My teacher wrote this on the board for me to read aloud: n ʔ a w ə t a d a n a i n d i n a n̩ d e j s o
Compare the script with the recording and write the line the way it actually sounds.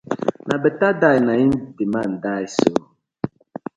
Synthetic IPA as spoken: n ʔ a b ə t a d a n a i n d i m a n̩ d a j s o